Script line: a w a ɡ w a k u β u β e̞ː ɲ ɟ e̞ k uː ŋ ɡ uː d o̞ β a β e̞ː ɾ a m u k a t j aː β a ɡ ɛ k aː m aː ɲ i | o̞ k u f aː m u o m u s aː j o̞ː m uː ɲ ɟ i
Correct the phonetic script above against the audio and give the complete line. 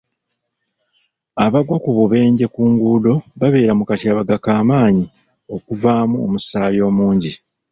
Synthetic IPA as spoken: a β a ɡ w a k u β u β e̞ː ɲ ɟ e̞ k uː ŋ ɡ uː d o̞ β a β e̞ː ɾ a m u k a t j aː β a ɡ a k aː m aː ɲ i | o̞ k u v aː m u o m u s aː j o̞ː m uː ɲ ɟ i